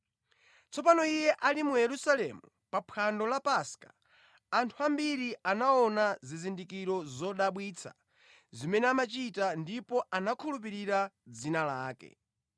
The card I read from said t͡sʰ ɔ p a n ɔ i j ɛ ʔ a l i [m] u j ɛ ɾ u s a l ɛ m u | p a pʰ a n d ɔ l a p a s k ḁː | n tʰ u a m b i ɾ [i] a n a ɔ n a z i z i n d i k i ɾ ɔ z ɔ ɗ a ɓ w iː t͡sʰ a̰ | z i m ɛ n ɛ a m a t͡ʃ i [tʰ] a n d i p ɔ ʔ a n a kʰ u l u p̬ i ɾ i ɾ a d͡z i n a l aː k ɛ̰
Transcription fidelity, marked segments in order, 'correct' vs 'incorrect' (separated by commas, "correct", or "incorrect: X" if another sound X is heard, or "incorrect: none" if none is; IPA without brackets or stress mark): correct, correct, incorrect: t